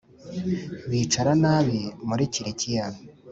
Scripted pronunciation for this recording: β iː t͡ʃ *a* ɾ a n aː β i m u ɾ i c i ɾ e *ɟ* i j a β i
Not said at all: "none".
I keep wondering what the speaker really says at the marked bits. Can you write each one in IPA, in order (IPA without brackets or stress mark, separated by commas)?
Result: a, c